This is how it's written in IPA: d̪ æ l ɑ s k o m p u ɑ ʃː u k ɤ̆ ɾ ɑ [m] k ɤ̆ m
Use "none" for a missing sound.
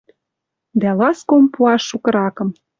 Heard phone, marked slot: none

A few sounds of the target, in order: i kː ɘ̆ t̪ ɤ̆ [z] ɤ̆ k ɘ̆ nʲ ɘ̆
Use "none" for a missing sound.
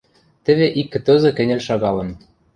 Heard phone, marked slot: z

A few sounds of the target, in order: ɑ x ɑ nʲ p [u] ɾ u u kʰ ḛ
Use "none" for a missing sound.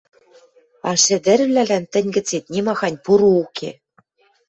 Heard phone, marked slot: u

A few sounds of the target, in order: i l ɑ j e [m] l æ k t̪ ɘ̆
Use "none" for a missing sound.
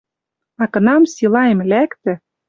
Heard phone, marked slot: m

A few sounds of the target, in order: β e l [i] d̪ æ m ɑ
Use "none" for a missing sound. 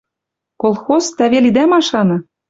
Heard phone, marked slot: i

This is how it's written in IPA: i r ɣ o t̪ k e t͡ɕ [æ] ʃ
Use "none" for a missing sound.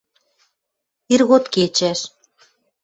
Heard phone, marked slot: æ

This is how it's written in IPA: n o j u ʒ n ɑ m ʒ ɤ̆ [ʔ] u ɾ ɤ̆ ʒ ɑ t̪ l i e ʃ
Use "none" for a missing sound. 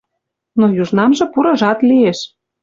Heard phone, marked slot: p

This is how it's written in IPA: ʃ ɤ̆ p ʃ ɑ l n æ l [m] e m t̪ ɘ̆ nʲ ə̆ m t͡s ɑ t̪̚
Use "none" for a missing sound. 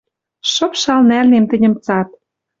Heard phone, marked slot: n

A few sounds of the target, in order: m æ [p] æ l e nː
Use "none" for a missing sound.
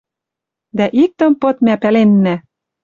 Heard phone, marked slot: p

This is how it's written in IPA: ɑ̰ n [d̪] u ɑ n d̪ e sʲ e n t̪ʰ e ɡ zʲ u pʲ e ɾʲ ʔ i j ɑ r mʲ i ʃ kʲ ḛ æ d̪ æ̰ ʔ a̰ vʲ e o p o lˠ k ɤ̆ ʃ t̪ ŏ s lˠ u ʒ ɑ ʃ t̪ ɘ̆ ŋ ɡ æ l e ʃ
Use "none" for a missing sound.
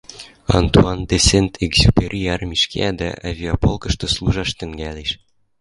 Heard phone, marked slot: t̪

